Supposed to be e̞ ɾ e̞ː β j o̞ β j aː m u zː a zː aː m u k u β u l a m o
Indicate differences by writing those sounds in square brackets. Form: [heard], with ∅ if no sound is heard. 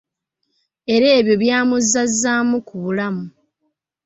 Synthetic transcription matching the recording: e̞ ɾ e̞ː β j o̞ β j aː m u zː a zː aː m u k u β u l a m [u]